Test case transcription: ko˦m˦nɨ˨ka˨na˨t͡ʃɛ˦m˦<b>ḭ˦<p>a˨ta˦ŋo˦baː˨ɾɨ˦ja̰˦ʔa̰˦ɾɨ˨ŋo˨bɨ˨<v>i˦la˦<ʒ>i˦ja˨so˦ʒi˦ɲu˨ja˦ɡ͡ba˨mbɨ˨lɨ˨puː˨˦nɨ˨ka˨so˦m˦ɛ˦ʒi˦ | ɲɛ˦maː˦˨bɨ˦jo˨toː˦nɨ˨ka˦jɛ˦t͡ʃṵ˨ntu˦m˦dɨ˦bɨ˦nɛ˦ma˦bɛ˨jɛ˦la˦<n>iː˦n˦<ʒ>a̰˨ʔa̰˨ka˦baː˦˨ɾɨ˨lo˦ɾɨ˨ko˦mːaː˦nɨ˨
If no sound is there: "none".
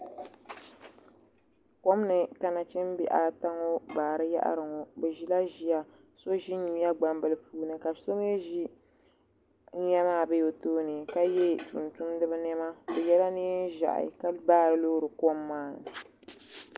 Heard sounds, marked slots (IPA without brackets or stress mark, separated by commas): b, ʔ, ʒ, ʒ, n, ʒ